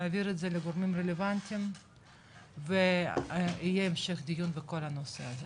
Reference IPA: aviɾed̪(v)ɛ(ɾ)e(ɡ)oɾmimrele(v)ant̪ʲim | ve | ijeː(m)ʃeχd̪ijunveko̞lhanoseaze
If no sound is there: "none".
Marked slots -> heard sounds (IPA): z, l, ɡ, v, m

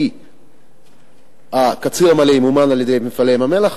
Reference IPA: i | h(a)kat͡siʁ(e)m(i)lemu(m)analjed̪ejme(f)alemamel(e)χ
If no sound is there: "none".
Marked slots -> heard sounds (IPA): a, a, a, m, f, a

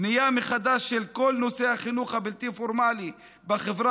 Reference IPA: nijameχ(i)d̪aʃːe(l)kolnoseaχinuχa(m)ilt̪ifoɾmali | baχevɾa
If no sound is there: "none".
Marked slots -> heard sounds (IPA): a, l, b

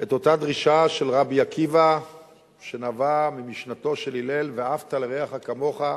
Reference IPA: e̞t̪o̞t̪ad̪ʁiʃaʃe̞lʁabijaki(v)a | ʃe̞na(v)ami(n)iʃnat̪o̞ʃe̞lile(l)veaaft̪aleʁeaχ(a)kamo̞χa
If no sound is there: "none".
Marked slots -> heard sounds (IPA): v, v, m, l, a

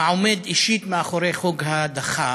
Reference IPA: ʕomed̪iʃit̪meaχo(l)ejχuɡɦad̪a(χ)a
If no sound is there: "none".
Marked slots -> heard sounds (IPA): ɾ, χ

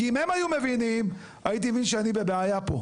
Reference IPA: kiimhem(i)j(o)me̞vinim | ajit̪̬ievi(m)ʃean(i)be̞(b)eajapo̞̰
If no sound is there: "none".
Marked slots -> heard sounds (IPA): a, u, n, i, b

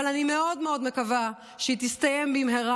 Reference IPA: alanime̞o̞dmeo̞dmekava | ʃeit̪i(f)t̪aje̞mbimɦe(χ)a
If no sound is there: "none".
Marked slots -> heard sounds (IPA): s, ʁ

